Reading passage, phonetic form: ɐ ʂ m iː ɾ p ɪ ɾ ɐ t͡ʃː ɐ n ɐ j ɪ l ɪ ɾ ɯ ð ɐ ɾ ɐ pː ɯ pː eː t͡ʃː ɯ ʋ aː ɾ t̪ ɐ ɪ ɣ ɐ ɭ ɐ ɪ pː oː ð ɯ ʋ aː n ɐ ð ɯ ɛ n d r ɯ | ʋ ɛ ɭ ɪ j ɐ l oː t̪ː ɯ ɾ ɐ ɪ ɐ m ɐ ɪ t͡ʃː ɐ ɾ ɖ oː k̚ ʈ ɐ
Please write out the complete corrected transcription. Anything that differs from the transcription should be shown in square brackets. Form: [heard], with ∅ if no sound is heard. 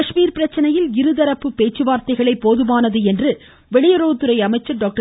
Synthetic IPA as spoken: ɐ ʂ m iː ɾ p ɪ ɾ ɐ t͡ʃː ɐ n ɐ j ɪ l ɪ ɾ ɯ ð ɐ ɾ ɐ pː ɯ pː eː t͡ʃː ɯ ʋ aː ɾ t̪ ɐ ɪ ɣ ɐ ɭ ɐ ɪ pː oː ð ɯ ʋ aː n ɐ ð ɯ ɛ n d r ɯ | ʋ ɛ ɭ ɪ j ɐ [ɾ] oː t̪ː ɯ ɾ ɐ ɪ ɐ m ɐ ɪ t͡ʃː ɐ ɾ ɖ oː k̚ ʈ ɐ